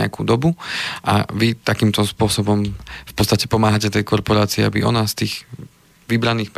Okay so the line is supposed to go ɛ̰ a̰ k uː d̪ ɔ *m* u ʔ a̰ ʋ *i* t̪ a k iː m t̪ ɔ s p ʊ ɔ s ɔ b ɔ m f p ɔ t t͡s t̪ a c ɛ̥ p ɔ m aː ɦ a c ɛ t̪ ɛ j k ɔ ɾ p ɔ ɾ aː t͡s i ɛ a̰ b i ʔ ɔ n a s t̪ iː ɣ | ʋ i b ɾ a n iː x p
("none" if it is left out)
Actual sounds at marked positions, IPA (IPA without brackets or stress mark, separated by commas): b, i